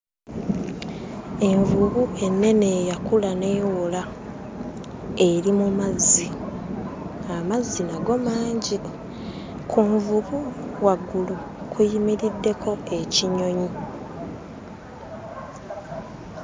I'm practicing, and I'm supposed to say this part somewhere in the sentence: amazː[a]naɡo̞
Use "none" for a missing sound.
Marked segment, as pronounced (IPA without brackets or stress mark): i